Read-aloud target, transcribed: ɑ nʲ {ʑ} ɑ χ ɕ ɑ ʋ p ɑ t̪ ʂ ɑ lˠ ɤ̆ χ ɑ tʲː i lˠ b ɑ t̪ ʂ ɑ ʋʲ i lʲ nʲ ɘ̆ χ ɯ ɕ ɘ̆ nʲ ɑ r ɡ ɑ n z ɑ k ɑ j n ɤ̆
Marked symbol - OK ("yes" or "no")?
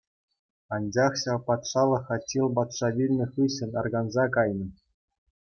no